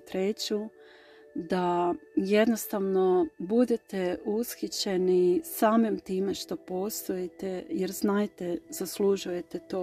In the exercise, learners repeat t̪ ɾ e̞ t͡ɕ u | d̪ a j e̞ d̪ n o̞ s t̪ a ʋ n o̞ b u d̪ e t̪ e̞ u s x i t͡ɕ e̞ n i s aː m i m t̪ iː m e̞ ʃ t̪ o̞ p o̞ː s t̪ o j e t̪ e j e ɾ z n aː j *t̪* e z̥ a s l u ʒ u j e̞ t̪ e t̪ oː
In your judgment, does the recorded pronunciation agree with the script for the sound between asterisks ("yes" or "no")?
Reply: yes